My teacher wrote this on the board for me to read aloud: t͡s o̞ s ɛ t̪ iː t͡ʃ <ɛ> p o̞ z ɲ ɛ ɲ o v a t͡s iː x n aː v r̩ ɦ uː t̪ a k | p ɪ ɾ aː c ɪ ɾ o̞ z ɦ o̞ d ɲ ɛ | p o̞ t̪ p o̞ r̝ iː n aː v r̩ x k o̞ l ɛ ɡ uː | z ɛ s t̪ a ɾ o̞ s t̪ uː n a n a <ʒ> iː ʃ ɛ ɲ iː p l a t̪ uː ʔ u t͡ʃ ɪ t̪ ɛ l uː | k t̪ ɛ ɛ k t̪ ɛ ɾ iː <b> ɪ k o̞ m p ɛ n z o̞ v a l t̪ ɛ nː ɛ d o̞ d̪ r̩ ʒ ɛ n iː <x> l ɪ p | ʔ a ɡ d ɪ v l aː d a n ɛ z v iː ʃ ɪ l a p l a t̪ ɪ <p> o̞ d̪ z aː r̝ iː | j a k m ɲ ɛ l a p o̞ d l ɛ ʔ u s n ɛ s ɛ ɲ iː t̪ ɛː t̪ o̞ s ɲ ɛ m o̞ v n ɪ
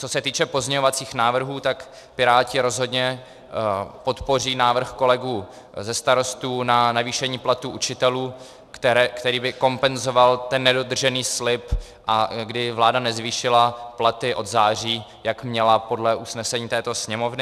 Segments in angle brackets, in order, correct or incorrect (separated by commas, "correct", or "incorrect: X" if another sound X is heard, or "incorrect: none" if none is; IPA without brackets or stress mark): correct, incorrect: v, correct, incorrect: s, incorrect: ʔ